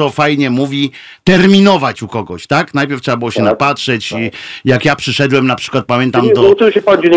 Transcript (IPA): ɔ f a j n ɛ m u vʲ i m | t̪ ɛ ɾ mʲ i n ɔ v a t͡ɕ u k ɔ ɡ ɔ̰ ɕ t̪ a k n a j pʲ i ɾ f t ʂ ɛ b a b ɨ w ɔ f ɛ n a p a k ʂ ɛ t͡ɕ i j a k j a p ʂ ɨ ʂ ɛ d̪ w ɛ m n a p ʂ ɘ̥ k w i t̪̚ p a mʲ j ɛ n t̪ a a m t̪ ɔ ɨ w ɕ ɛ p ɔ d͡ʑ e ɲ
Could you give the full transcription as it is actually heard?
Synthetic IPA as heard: ɔ f a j ɲ ɛ m u vʲ i | t̪ ɛ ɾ mʲ i n ɔ v a t͡ɕ u k ɔ ɡ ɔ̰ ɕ t̪ a k n a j pʲ ɛ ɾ f t ʂ ɛ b a b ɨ w ɔ ɕ ɛ n a p a t ʂ ɛ t͡ɕ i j a k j a p ʂ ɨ ʂ ɛ d̪ w ɛ m n a p ʂ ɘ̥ k w a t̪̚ p a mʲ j ɛ n t̪ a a m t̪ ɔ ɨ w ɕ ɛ p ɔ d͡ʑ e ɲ